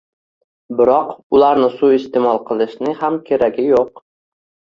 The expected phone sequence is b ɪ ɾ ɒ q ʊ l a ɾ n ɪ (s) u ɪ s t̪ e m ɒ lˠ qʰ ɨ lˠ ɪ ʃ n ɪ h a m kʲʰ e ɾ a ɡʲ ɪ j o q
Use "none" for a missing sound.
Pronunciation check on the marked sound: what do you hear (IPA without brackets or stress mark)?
s